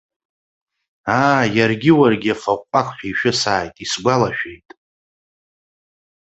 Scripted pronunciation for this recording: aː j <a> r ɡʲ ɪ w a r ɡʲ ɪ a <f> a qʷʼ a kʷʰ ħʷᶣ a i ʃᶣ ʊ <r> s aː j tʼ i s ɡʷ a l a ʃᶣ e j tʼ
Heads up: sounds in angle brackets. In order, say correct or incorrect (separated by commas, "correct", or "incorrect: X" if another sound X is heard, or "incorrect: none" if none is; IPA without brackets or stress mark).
correct, correct, incorrect: none